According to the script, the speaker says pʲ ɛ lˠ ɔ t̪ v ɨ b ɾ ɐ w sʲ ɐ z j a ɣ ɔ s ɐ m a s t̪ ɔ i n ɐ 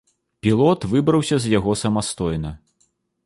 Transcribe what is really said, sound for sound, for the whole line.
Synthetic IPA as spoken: pʲ i lˠ ɔ t̪ v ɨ b ɾ ɐ w sʲ ɐ z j a ɣ ɔ s ɐ m a s t̪ ɔ j n ɐ